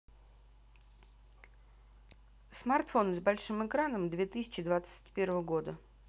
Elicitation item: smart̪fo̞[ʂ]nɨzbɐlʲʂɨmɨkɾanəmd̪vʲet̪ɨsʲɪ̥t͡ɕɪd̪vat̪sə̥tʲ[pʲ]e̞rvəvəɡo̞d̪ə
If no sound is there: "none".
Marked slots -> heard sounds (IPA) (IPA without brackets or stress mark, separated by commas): none, pʲ